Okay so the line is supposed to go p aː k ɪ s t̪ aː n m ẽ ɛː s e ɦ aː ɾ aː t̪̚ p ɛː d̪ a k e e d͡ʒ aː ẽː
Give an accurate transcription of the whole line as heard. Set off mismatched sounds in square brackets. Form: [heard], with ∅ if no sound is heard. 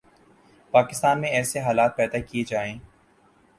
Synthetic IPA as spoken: p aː k ɪ s t̪ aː n m ẽ ɛː s e ɦ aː [l] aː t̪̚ p ɛː d̪ a k [i] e d͡ʒ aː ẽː